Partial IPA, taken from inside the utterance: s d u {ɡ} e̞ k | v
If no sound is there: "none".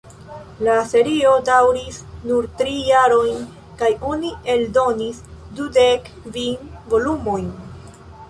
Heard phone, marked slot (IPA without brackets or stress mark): d